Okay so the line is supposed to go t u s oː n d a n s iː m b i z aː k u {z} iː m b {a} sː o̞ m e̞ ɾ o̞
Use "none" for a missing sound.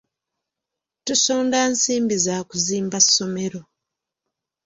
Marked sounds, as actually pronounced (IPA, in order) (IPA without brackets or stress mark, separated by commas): z, a